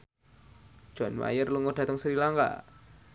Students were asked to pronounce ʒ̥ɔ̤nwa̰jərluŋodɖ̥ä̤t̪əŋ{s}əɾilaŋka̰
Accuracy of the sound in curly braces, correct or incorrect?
correct